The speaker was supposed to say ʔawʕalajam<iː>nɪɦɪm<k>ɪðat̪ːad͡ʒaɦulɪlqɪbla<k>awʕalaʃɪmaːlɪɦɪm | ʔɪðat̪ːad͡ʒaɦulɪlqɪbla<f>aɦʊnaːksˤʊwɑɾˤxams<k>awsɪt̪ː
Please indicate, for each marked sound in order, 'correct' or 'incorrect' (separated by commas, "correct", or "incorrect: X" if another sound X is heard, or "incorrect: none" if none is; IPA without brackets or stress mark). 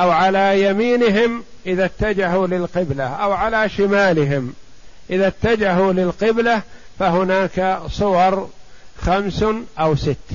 correct, incorrect: ʔ, incorrect: ʔ, correct, incorrect: ʔ